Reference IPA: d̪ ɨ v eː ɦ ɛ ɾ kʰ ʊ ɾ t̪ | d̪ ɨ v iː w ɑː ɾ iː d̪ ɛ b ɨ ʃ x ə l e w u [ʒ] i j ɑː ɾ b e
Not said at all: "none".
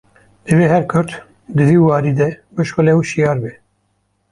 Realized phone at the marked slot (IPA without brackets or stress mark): ʃ